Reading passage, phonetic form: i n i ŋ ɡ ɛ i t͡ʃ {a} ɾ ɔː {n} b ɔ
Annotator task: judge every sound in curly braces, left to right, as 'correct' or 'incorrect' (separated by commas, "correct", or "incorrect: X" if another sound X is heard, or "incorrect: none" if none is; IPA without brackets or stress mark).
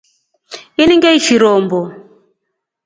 incorrect: i, incorrect: m